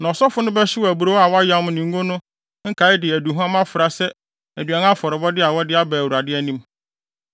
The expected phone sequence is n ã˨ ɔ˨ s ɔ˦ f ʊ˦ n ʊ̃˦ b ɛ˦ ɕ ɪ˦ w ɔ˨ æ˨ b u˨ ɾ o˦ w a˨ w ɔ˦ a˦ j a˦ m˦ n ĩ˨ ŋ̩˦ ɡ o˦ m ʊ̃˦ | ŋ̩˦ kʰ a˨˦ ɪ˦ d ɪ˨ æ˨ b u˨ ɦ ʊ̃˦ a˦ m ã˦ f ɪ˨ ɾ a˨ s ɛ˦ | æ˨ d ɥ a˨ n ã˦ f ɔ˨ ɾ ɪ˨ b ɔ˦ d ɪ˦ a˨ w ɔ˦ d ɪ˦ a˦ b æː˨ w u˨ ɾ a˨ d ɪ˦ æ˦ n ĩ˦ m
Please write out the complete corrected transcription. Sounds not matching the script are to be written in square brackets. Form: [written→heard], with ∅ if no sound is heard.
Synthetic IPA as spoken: n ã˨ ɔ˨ s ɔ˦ f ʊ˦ n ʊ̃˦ b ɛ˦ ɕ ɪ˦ w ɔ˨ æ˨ b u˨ ɾ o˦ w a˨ w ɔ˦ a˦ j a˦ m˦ n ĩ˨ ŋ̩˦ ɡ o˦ [m→n] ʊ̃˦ | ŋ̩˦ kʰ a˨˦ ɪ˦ d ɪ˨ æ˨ [b→d] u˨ ɦ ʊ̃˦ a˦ m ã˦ f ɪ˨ ɾ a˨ s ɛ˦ | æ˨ d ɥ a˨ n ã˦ f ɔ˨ ɾ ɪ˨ b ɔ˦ d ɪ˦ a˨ w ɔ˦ d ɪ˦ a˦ b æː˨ w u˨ ɾ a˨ d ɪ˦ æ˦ n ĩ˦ m